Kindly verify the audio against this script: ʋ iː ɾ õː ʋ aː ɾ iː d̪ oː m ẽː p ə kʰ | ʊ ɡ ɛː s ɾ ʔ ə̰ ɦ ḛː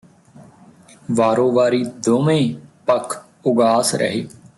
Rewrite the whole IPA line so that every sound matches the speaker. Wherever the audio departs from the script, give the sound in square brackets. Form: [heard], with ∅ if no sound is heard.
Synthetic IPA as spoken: ʋ [aː] ɾ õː ʋ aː ɾ iː d̪ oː m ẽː p ə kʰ | ʊ ɡ [aː] s ɾ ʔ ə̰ ɦ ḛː